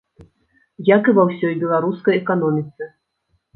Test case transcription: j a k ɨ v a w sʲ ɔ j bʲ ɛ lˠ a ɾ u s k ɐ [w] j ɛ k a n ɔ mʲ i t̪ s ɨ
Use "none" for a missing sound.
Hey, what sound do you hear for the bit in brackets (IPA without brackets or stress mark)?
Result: none